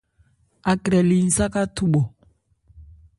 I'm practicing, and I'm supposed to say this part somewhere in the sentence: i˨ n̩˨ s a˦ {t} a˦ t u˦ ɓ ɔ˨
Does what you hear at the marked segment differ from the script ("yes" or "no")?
yes